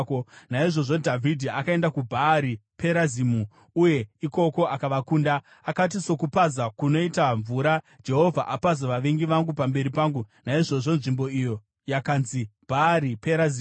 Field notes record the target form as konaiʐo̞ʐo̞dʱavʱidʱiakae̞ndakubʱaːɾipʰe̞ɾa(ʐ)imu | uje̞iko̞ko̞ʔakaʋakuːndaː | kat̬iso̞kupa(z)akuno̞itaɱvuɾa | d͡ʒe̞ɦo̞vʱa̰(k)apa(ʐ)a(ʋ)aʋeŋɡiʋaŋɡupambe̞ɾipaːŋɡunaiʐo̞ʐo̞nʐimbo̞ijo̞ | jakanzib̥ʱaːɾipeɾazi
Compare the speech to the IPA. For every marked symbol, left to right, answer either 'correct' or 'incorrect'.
incorrect: z, correct, incorrect: ʔ, incorrect: z, correct

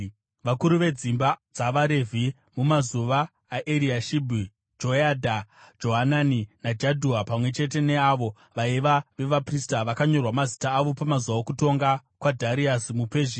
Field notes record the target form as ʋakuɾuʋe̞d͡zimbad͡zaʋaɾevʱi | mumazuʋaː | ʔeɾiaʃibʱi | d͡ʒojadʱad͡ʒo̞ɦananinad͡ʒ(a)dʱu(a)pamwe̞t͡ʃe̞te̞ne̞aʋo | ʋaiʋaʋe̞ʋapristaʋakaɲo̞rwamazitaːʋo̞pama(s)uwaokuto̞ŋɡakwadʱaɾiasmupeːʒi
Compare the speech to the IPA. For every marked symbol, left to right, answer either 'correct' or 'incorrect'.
correct, correct, incorrect: z

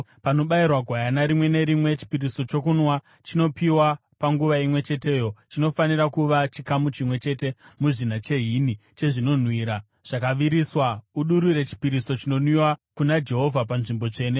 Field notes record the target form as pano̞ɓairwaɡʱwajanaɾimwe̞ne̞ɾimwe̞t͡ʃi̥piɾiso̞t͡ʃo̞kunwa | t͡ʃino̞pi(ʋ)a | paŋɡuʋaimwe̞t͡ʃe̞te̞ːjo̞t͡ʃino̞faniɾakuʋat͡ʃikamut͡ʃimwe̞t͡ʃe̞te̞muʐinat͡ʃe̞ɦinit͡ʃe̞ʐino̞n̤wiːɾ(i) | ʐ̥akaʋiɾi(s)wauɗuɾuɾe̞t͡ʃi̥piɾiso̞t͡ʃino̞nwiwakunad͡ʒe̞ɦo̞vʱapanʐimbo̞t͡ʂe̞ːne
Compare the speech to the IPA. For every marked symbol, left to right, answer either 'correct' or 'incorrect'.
incorrect: w, incorrect: a, correct

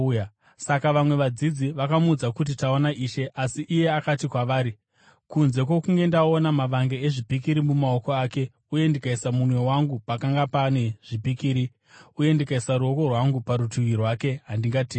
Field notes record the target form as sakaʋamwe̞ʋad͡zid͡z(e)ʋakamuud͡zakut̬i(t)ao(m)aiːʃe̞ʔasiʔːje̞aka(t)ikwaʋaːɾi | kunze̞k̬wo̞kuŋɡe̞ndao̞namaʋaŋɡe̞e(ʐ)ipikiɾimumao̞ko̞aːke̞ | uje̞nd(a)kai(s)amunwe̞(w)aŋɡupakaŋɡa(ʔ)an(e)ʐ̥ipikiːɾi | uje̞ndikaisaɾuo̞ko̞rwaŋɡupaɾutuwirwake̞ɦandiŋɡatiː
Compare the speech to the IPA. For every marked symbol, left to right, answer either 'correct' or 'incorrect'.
incorrect: i, correct, incorrect: n, correct, correct, incorrect: i, correct, correct, incorrect: p, correct

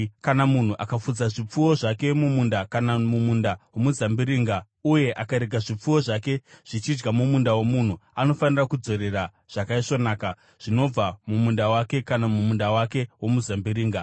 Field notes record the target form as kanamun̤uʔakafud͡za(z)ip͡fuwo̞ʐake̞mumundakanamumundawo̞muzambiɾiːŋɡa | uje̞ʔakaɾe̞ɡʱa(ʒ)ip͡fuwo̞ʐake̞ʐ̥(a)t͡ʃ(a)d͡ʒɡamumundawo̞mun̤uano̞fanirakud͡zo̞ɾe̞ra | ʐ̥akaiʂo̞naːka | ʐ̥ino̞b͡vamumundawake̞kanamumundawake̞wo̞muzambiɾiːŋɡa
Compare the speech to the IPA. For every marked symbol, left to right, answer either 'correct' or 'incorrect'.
incorrect: ʐ, incorrect: ʐ, incorrect: i, incorrect: i

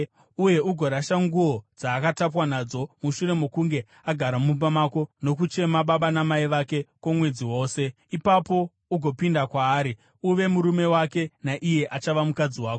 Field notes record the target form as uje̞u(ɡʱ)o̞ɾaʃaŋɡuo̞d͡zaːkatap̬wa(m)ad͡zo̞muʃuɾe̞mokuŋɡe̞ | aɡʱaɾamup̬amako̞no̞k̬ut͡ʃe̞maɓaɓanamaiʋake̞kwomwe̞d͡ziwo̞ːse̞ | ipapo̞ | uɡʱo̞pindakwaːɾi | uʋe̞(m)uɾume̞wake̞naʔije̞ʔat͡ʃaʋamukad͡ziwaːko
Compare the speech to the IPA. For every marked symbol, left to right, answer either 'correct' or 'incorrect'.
correct, incorrect: n, correct

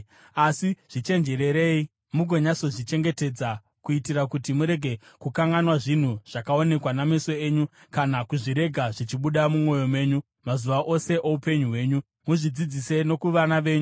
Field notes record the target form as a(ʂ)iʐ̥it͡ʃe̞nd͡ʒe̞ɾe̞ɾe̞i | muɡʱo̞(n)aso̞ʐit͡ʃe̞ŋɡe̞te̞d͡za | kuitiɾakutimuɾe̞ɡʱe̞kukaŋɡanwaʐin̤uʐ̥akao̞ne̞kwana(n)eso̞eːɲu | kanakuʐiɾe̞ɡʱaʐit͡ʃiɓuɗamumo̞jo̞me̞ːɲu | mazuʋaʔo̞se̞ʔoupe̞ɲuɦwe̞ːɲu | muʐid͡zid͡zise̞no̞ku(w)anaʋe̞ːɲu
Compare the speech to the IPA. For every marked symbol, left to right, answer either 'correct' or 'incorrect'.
incorrect: s, incorrect: ɲ, incorrect: m, incorrect: ʋ

